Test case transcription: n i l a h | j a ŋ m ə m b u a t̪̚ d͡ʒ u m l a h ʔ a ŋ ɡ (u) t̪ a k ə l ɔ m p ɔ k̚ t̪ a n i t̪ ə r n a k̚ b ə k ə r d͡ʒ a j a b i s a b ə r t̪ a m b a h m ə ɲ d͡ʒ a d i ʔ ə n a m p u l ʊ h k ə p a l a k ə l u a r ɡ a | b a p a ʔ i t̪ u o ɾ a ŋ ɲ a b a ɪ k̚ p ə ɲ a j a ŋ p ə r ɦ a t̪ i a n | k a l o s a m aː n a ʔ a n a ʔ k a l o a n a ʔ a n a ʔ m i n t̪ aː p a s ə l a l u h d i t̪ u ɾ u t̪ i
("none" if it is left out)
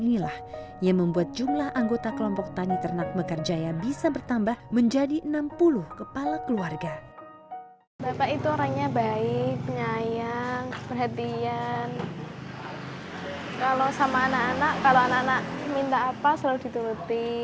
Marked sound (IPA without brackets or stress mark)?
o